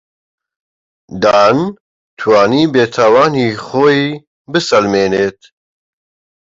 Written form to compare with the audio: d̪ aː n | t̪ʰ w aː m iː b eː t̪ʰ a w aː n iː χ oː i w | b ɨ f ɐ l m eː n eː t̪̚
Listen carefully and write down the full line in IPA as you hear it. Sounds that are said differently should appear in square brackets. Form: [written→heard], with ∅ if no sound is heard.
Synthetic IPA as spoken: d̪ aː n | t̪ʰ w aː [m→n] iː b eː t̪ʰ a w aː n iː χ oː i [w→∅] | b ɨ [f→s] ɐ l m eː n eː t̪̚